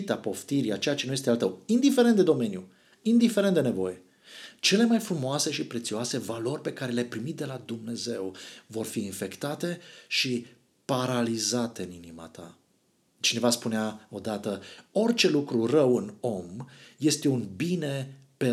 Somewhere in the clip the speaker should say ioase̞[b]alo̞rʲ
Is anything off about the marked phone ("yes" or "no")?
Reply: yes